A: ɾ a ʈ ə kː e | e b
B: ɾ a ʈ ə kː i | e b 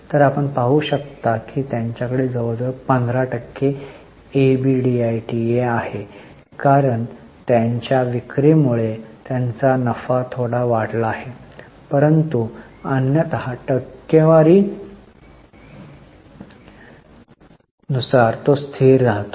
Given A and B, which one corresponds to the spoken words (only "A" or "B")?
A